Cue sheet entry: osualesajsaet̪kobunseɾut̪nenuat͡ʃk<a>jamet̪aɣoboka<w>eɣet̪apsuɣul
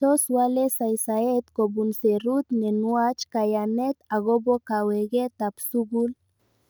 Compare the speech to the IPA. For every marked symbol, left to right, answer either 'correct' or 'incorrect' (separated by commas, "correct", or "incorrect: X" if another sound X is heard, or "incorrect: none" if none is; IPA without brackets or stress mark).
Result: correct, correct